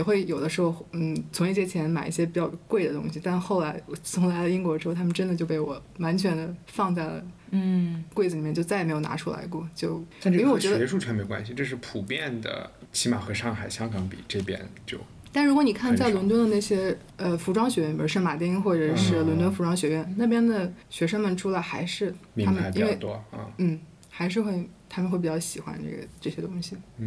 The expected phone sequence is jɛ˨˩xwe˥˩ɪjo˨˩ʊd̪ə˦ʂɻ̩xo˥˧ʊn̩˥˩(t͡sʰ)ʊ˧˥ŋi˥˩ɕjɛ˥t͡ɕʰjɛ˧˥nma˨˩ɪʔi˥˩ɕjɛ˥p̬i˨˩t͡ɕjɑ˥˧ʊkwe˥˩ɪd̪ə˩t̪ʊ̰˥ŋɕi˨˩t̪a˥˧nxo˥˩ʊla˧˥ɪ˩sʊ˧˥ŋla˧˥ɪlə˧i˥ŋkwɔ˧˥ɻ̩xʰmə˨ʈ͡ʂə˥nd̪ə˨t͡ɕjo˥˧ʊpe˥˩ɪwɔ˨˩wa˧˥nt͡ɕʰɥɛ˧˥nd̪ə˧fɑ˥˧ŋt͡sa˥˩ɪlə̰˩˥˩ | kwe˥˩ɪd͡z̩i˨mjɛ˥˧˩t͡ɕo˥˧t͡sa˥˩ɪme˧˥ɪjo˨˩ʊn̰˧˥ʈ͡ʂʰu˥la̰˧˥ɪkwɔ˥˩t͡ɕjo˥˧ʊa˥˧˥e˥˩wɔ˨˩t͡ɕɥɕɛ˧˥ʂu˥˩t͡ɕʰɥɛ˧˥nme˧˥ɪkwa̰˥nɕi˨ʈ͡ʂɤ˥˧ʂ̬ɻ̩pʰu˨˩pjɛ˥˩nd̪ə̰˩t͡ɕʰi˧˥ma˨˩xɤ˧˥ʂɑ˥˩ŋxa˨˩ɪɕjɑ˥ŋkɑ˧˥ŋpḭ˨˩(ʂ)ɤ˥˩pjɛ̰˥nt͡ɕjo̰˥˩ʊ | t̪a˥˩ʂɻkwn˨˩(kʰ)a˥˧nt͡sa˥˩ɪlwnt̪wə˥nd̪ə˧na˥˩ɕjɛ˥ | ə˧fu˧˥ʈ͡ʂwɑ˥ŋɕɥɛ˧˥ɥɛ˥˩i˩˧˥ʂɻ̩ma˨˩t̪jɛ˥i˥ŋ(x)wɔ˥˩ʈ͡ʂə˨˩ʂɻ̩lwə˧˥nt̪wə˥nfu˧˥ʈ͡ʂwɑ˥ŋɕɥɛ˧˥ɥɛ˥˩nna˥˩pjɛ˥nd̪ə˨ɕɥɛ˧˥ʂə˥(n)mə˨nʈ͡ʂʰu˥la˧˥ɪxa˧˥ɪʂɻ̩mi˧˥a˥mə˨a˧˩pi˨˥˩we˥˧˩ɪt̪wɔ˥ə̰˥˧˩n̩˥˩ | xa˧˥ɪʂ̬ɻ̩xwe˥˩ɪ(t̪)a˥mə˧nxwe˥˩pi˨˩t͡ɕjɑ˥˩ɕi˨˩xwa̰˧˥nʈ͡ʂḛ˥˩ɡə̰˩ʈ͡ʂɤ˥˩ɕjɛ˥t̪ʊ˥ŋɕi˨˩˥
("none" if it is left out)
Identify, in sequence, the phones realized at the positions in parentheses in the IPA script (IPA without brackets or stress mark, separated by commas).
t͡sʰ, ʈ͡ʂ, kʰ, x, ŋ, t̪ʰ